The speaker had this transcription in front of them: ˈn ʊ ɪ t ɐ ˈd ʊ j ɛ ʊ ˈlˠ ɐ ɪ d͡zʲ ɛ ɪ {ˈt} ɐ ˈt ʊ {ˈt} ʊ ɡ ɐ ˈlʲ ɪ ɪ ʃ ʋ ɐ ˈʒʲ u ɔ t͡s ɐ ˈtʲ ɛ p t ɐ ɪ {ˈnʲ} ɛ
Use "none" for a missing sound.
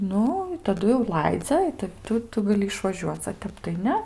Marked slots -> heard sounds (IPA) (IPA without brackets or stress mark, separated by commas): t, t, nʲ